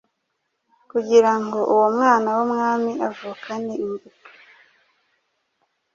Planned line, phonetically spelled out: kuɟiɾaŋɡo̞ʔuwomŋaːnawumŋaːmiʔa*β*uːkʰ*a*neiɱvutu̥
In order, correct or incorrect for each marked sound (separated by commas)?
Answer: incorrect, correct